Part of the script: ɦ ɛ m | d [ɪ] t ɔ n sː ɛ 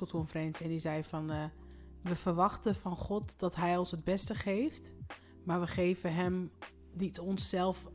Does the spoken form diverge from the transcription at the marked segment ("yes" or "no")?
yes